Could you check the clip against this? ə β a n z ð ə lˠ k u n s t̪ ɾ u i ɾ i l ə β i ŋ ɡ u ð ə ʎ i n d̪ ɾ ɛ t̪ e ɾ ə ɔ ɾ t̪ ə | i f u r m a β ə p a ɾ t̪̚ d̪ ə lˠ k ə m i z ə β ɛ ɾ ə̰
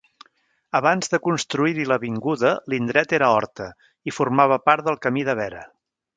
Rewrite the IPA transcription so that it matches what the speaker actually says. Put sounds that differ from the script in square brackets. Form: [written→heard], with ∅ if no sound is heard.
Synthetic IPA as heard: ə β a n z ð ə [lˠ→∅] k u n s t̪ ɾ u i ɾ i l ə β i ŋ ɡ u ð ə [ʎ→l] i n d̪ ɾ ɛ t̪ e ɾ ə ɔ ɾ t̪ ə | i f u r m a β ə p a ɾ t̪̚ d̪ ə lˠ k ə m i [z→ð] ə β ɛ ɾ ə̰